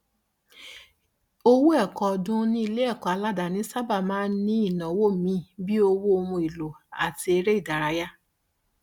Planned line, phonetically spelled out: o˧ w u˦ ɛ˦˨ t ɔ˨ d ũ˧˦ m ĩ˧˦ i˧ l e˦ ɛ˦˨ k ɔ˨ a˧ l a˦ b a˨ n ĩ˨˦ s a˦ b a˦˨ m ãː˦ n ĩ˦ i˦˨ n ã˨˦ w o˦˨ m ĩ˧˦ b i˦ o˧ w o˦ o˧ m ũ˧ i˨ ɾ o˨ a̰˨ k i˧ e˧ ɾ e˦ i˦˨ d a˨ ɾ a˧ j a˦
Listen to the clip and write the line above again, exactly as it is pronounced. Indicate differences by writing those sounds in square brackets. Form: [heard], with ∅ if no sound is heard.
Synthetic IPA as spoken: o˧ w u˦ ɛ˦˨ [k] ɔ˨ d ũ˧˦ [n] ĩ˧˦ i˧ l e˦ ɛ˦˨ k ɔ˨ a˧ l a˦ [d] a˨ n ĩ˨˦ s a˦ b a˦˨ m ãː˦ n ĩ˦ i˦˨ n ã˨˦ w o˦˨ m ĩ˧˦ b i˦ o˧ w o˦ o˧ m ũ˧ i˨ [l] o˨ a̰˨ [t] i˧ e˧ ɾ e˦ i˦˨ d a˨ ɾ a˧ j a˦